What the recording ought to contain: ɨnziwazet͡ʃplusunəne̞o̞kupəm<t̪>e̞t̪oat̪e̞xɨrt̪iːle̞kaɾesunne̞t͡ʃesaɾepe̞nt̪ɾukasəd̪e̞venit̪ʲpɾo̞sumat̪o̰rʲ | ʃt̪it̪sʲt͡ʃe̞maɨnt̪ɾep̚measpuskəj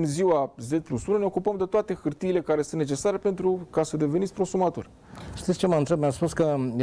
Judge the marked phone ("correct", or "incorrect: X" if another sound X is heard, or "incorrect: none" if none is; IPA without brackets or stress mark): incorrect: d̪